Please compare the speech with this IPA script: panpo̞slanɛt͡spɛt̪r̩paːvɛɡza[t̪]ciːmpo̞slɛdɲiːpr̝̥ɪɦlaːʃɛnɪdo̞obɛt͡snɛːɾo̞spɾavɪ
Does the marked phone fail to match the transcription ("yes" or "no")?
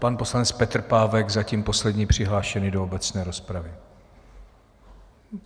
yes